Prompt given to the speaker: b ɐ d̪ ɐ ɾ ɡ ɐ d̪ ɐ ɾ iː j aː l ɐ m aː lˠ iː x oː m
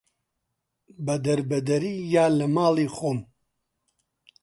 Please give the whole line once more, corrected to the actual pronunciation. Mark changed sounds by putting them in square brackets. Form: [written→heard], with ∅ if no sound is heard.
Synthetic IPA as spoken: b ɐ d̪ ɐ ɾ [ɡ→b] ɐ d̪ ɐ ɾ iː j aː l ɐ m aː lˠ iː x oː m